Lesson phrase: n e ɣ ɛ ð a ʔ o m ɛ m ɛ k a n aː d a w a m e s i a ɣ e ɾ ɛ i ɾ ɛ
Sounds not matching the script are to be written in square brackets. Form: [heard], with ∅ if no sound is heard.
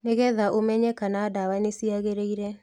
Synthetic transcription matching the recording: n e ɣ ɛ ð a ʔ o m ɛ [ɲ] ɛ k a n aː d a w a [n] e s i a ɣ e ɾ [e] i ɾ ɛ